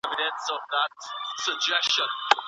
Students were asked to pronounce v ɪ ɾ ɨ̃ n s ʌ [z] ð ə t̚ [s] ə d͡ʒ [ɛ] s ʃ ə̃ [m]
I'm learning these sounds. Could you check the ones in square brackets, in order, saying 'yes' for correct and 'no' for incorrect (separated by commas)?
no, yes, yes, no